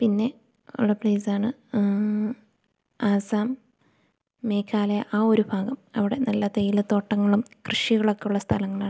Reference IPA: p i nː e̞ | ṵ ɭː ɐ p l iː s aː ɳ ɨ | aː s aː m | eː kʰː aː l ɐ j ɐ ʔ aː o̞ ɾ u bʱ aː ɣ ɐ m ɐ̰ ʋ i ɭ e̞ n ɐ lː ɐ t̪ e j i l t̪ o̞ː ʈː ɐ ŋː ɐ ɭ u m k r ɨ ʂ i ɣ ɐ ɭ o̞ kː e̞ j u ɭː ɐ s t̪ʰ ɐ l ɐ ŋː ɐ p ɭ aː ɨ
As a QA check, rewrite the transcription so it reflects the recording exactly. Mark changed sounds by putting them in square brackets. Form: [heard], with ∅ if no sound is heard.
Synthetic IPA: p i nː e̞ | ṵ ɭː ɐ p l iː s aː ɳ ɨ | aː s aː m | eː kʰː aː l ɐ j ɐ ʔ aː o̞ ɾ u bʱ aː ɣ ɐ m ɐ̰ ʋ i [ɽ] e̞ n ɐ lː ɐ t̪ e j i l t̪ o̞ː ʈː ɐ ŋː ɐ ɭ u m k r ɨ ʂ i ɣ ɐ ɭ o̞ kː e̞ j u ɭː ɐ s t̪ʰ ɐ l ɐ ŋː ɐ [∅] ɭ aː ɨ